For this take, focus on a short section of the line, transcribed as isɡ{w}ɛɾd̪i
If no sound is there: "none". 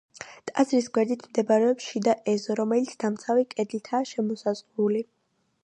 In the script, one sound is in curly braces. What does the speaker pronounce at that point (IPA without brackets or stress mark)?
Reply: w